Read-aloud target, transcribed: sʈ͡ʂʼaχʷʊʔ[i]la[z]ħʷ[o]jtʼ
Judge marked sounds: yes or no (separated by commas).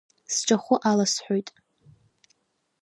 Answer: no, no, yes